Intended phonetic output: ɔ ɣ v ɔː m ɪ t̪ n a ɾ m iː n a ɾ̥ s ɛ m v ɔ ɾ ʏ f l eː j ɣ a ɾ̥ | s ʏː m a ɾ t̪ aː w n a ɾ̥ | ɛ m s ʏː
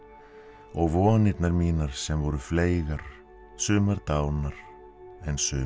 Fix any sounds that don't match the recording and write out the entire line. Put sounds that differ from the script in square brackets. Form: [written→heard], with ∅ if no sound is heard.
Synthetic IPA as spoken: ɔ ɣ v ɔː [m→n] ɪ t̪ n a ɾ m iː n a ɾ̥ s ɛ m v ɔ ɾ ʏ f l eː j ɣ a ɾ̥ | s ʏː m a ɾ t̪ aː w n a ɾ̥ | ɛ [m→n] s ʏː